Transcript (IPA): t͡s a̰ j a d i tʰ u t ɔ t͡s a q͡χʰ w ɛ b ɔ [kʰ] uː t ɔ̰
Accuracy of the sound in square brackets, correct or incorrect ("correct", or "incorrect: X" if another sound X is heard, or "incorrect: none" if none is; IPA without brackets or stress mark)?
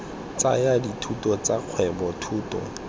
incorrect: tʰ